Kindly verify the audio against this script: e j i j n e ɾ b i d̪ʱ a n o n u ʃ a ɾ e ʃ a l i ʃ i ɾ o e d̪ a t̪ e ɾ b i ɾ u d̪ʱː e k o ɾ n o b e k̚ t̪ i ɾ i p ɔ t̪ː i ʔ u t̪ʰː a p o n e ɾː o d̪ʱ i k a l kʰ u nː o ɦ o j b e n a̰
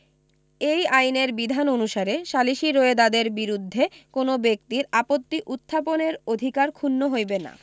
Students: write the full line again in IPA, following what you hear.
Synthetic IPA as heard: e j a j n e ɾ b i d̪ʱ a n o n u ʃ a ɾ e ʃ a l i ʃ i ɾ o e d̪ a d̪ e ɾ b i ɾ u d̪ʱː e k o n o b e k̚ t̪ i ɾ a p o t̪ː i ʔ u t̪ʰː a p o n e ɾ o d̪ʱ i k a ɾ kʰ u nː o ɦ o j b e n a̰

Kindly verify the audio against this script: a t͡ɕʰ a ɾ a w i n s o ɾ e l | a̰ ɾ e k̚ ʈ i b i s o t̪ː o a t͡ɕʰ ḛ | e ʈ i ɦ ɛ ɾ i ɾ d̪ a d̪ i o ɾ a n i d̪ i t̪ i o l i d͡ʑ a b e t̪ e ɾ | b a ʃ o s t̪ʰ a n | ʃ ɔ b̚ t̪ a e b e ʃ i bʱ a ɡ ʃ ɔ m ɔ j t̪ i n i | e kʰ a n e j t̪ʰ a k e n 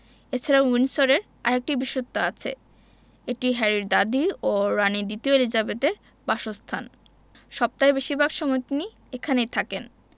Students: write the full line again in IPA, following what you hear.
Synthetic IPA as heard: e t͡ɕʰ a ɾ a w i n s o ɾ e ɾ | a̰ ɾ e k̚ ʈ i b i ʃ o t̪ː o a t͡ɕʰ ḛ | e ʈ i ɦ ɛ ɾ i ɾ d̪ a d̪ i o ɾ a n i d̪ i t̪ i o l i d͡ʑ a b e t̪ e ɾ | b a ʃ o s t̪ʰ a n | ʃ ɔ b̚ t̪ a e b e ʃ i bʱ a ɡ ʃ ɔ m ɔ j t̪ i n i | e kʰ a n e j t̪ʰ a k e n

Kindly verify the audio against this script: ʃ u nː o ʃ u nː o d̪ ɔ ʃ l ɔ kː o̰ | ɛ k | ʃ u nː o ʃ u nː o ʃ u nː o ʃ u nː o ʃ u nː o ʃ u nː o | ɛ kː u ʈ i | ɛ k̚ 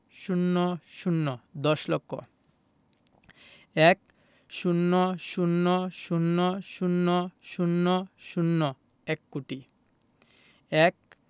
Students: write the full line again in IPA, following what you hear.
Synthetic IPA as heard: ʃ u nː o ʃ u nː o d̪ ɔ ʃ l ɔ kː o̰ | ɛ k | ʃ u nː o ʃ u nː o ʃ u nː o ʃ u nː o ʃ u nː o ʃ u nː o | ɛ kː u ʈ i | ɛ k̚

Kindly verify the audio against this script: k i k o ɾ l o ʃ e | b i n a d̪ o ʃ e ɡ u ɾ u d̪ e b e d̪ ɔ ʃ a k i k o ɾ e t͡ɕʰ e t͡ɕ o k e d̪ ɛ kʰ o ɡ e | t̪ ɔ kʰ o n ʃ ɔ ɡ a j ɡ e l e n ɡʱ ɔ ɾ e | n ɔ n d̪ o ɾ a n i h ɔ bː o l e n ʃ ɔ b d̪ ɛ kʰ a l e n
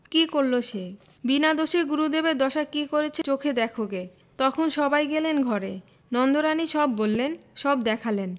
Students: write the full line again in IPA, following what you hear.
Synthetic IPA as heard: k i k o ɾ l o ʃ e | b i n a d̪ o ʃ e ɡ u ɾ u d̪ e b e d̪ ɔ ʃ a k i k o ɾ e t͡ɕʰ e t͡ɕ o kʰ e d̪ ɛ kʰ o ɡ e | t̪ ɔ kʰ o n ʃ ɔ b a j ɡ e l e n ɡʱ ɔ ɾ e | n ɔ n d̪ o ɾ a n i ʃ ɔ bː o lː e n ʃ ɔ b d̪ ɛ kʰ a l e n

